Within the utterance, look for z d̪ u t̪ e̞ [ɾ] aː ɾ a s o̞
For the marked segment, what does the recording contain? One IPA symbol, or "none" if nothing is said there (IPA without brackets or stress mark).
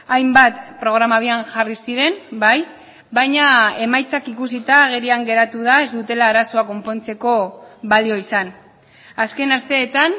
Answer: l